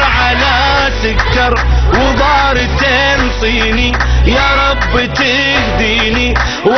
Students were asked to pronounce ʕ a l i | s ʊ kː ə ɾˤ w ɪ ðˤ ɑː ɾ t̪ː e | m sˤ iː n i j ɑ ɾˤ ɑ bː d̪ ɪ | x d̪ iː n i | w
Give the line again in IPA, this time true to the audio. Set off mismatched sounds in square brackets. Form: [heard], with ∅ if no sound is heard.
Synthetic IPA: ʕ a l [a] | s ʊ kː [ɑ] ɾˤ w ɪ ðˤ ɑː ɾ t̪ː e | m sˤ iː n i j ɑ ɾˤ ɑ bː [t̪] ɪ | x d̪ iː n i | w